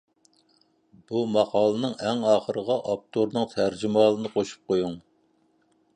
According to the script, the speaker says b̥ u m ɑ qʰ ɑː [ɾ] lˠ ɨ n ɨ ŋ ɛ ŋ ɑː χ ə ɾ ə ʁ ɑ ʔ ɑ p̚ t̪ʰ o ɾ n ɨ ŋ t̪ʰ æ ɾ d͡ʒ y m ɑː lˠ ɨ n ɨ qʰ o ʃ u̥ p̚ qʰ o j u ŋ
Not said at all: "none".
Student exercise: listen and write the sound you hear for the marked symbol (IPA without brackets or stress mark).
none